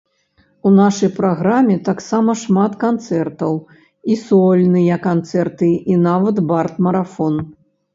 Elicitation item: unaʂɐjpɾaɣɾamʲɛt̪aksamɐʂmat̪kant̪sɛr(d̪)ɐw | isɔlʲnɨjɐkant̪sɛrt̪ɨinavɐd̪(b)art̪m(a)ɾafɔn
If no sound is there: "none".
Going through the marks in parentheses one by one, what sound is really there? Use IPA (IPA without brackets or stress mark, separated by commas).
t̪, b, ɐ